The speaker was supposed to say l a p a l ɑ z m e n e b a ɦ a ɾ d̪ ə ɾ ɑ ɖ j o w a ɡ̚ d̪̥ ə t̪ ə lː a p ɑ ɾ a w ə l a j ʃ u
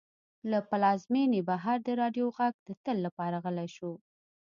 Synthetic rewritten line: l a p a l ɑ z m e n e b a ɦ a ɾ d̪ ə ɾ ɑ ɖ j o ɣ a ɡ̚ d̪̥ ə t̪ ə lː a p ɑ ɾ a ɣ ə l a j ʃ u